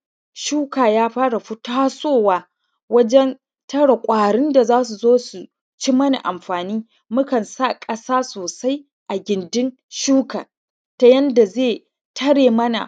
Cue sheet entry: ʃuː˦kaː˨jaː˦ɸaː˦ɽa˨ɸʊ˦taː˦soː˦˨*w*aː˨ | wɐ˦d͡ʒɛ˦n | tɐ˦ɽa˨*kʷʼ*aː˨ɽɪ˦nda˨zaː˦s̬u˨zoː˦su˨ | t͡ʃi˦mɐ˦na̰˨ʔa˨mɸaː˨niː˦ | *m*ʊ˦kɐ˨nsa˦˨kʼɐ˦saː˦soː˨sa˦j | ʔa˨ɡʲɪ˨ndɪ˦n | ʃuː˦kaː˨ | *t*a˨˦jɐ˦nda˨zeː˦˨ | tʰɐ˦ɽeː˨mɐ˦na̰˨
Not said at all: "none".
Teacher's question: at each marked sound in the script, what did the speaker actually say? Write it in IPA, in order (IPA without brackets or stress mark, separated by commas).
w, kʷʼ, m, t